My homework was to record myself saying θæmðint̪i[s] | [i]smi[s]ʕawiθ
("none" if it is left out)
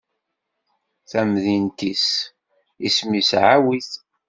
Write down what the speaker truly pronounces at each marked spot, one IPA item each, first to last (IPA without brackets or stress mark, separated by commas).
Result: s, i, s